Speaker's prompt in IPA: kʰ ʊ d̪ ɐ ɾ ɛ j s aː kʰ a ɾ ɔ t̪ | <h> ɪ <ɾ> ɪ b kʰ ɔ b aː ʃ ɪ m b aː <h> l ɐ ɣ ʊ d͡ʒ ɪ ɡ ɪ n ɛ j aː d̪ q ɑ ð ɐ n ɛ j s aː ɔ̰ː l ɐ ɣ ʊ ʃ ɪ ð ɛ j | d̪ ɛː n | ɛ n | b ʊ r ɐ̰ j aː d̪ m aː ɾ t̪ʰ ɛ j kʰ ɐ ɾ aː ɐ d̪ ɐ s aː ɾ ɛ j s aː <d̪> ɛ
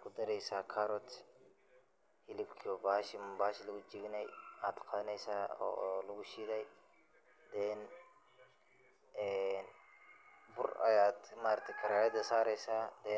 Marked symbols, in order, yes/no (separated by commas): yes, no, no, yes